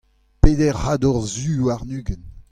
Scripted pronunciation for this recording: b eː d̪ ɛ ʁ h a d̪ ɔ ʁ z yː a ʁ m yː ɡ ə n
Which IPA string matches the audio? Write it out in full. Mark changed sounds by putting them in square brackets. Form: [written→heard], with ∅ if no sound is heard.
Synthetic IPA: [b→p] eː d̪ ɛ ʁ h a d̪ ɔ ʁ z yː a ʁ [m→n] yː ɡ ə n